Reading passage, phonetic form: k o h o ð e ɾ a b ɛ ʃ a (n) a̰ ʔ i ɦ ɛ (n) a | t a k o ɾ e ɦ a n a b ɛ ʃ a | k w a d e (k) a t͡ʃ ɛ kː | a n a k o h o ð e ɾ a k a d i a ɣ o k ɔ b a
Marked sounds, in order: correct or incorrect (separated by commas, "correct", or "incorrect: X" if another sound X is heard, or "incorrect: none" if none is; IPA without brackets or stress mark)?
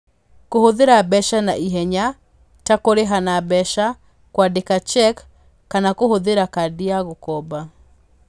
correct, incorrect: ɲ, correct